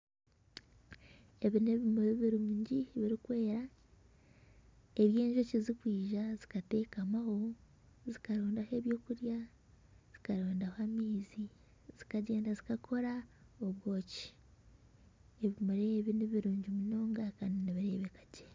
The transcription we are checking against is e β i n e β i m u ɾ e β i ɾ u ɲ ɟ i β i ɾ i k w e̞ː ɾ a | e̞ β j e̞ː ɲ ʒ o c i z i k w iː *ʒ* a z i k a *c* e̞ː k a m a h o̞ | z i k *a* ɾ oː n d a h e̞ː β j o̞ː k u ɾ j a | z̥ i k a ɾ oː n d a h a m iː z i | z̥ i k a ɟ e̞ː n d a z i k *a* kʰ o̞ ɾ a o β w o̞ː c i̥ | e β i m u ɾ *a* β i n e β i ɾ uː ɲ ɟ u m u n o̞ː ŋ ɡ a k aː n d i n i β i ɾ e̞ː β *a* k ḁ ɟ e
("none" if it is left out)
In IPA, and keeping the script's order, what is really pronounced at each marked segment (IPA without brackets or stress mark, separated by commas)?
ʒ, t, a, a, e, e